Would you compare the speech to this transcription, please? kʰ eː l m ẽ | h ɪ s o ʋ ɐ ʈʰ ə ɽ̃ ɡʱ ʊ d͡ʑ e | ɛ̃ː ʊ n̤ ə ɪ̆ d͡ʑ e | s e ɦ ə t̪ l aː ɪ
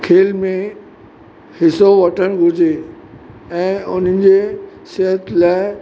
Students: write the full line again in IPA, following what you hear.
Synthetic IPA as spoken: kʰ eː l m ẽ | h ɪ s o ʋ ɐ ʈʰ ə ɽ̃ ɡʱ ʊ d͡ʑ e | ɛ̃ː ʊ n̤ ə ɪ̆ d͡ʑ e | s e ɦ ə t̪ l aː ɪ